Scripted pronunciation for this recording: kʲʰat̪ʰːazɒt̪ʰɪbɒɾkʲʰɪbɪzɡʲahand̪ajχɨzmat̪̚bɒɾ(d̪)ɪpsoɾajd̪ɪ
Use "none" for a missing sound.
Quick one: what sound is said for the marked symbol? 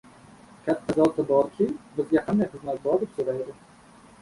d̪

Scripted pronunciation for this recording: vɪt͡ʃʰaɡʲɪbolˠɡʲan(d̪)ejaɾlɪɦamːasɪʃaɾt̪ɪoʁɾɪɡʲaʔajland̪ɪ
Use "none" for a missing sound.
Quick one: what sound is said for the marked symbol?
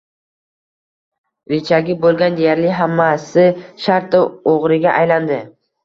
d̪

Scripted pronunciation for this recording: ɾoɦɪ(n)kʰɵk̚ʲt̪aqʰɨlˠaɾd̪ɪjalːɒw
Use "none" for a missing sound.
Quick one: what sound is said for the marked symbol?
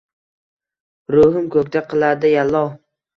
m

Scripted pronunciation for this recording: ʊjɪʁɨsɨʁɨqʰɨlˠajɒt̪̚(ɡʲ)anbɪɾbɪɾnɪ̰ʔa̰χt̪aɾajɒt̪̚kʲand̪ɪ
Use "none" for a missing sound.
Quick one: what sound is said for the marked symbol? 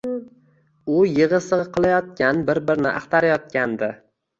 kʲ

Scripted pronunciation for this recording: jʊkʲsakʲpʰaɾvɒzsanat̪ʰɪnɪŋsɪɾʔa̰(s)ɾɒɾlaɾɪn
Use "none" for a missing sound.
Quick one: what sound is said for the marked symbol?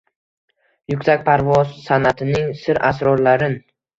s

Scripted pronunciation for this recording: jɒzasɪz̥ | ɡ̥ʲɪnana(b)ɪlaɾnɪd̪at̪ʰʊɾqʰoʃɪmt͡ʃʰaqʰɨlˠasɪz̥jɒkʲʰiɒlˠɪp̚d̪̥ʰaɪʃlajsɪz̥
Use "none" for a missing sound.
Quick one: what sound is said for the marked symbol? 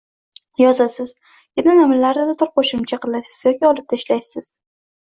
m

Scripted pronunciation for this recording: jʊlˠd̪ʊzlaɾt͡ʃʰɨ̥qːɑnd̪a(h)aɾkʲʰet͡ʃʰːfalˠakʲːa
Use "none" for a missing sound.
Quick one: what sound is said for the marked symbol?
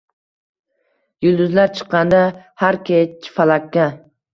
h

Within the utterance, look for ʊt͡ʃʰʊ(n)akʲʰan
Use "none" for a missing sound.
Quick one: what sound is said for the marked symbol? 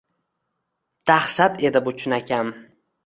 n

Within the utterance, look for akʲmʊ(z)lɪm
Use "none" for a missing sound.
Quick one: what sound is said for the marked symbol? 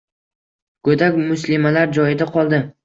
s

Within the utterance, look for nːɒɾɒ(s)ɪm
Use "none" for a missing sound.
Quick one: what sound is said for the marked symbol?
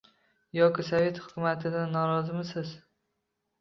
z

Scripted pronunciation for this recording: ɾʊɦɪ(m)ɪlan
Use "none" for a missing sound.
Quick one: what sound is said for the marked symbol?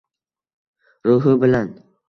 b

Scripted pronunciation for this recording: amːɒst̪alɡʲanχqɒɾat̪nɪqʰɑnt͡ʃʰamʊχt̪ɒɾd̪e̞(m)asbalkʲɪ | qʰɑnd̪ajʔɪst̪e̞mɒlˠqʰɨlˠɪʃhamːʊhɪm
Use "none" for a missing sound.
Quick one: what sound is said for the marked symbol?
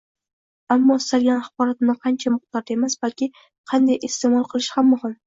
m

